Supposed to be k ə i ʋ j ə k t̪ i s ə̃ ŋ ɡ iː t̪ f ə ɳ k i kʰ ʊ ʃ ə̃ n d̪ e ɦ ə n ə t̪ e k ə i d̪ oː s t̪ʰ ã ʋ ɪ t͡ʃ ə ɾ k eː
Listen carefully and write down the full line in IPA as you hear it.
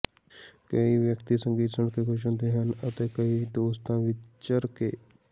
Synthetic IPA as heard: k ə i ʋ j ə k t̪ i s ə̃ ŋ ɡ iː t̪ s ə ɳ k e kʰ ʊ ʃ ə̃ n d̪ e ɦ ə n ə t̪ e k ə i d̪ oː s t̪ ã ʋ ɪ t͡ʃ ə ɾ k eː